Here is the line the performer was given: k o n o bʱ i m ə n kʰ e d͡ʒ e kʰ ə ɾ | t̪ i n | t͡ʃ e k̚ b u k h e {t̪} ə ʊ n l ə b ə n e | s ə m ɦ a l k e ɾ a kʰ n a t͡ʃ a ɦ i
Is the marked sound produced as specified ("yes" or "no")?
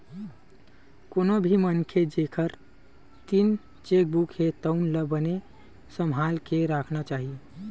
yes